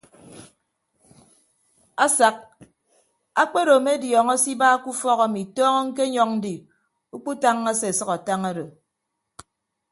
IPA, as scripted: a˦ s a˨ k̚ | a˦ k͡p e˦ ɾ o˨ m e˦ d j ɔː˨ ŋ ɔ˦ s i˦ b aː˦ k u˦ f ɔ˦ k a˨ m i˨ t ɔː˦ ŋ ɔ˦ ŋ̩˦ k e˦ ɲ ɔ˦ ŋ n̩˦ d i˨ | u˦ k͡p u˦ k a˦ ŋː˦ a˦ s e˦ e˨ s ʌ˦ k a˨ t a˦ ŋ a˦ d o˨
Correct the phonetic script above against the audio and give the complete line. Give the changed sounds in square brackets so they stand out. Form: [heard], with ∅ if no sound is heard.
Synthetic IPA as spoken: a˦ s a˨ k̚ | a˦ k͡p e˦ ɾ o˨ m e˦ d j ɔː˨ ŋ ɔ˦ s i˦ b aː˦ k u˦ f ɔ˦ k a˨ m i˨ t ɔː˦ ŋ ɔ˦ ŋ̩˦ k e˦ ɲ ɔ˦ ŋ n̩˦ d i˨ | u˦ k͡p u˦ [t] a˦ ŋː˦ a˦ s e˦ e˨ s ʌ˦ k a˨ t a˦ ŋ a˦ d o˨